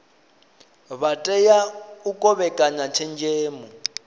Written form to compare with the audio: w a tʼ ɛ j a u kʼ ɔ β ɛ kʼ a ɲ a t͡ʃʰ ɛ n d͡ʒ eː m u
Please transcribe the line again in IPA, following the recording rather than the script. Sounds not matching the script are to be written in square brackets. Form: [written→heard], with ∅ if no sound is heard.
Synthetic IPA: [w→β] a tʼ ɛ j a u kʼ ɔ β ɛ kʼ a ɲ a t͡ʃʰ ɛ n d͡ʒ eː m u